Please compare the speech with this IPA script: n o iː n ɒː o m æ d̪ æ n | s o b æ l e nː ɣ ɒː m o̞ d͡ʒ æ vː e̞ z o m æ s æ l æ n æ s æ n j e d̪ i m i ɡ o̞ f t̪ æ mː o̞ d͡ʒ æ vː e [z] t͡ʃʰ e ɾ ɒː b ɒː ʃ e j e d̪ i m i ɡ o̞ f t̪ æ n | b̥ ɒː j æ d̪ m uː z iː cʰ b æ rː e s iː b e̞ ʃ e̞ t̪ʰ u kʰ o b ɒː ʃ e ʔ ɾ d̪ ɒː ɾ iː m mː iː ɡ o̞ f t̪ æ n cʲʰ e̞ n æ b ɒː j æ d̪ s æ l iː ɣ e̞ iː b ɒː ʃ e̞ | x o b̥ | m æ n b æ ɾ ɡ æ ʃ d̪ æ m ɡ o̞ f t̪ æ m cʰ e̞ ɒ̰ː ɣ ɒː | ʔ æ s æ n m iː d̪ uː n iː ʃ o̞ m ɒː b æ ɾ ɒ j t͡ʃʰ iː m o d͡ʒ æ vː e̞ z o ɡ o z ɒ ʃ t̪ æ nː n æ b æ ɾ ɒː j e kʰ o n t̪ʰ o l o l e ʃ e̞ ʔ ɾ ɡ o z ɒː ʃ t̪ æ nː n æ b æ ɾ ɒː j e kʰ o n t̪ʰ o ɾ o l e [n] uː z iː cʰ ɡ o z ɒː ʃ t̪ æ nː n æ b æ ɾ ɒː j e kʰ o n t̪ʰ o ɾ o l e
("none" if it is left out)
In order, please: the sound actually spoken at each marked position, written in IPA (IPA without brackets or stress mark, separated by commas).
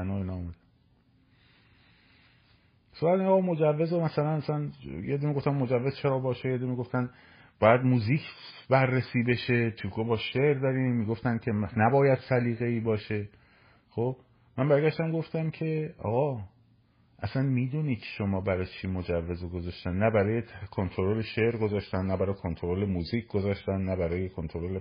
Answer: z, m